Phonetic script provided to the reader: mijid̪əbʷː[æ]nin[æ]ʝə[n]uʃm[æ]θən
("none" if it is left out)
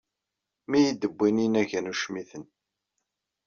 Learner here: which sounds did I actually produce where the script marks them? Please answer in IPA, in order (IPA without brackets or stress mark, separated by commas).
i, æ, n, i